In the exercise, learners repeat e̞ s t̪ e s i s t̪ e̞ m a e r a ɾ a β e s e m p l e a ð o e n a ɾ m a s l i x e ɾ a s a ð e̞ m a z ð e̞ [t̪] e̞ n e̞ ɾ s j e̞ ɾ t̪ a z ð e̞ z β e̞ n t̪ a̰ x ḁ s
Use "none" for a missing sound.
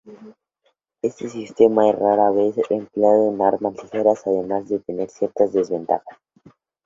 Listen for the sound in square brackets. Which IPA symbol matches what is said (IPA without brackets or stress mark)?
t̪